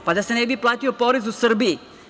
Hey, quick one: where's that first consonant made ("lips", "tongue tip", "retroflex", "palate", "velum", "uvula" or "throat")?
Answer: lips